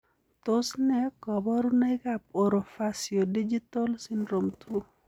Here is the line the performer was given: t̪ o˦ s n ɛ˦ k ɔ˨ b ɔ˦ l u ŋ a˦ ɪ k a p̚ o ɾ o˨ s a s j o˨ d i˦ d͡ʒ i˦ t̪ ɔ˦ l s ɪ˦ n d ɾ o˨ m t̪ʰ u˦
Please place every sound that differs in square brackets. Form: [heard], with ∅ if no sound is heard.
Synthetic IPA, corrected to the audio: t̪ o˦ s n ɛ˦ k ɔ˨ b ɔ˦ [ɾ] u [n] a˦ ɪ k a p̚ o ɾ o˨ [f] a s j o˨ d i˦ d͡ʒ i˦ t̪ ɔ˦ l s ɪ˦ n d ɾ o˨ m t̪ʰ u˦